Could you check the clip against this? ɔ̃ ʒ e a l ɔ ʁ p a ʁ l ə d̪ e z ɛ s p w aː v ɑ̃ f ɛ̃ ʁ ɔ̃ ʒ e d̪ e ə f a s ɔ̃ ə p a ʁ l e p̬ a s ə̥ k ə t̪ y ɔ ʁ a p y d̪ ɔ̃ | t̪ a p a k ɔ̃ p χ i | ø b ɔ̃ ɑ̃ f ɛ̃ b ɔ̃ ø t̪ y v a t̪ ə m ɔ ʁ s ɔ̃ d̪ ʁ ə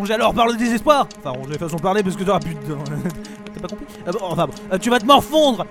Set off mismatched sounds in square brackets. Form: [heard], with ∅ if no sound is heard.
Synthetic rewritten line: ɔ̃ ʒ e a l ɔ ʁ p a ʁ l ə d̪ e z ɛ s p w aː [ʁ] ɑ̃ f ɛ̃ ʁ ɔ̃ ʒ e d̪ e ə f a s ɔ̃ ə p a ʁ l e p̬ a s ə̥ k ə t̪ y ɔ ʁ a p y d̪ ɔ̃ | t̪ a p a k ɔ̃ p χ i | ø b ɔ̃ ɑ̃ f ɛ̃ b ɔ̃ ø t̪ y v a t̪ ə m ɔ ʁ [f] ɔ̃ d̪ ʁ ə